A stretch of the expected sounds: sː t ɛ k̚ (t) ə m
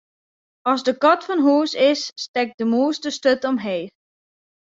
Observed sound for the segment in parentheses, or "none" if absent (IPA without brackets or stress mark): d